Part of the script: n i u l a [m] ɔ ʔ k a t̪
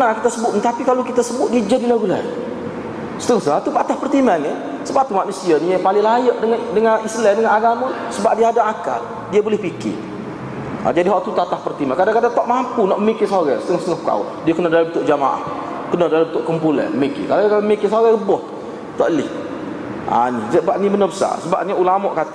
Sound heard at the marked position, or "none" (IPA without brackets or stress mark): m